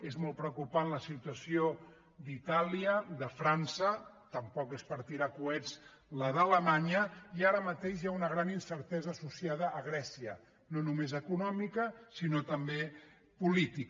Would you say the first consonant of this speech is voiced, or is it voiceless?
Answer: voiced